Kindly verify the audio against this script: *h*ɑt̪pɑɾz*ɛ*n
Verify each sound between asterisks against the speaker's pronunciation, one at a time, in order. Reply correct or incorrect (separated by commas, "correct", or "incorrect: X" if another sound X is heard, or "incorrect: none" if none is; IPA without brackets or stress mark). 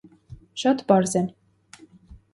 incorrect: ʃ, correct